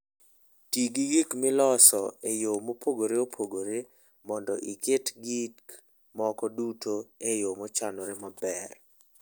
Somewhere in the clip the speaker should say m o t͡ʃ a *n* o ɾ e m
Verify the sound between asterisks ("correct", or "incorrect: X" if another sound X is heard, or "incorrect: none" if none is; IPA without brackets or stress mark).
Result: correct